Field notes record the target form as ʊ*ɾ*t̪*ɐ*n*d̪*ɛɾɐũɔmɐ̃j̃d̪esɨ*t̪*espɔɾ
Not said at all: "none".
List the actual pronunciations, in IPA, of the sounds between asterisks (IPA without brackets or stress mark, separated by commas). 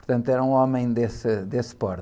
ɾ, ɐ̃, t̪, d̪